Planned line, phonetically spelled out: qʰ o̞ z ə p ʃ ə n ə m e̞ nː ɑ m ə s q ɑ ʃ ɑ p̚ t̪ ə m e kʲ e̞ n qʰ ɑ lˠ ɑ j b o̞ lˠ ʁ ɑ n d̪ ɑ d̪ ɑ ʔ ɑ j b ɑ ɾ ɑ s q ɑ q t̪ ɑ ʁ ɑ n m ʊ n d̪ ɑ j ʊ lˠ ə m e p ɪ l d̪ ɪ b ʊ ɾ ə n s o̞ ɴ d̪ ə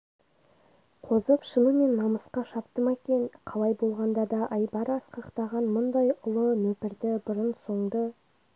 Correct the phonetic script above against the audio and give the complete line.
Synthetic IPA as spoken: qʰ o̞ z ə p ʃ ə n ə m e̞ nː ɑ m ə s q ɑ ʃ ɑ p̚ t̪ ə m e kʲ e̞ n qʰ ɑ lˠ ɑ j b o̞ lˠ ʁ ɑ n d̪ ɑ d̪ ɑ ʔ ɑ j b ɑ ɾ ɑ s q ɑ q t̪ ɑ ʁ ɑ n m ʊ n d̪ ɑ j ʊ lˠ ə m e p ɪ ɾ d̪ ɪ b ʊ ɾ ə n s o̞ ɴ d̪ ə